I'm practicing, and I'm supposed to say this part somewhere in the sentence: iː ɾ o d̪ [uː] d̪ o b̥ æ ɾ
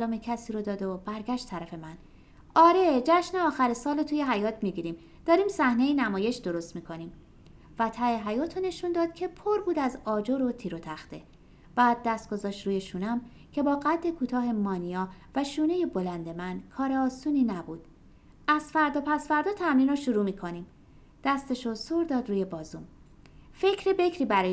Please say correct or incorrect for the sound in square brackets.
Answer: incorrect